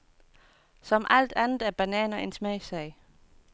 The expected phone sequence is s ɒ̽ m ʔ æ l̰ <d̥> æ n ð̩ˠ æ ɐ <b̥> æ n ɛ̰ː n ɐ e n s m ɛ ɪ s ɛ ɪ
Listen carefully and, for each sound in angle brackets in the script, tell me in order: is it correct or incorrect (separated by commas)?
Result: correct, correct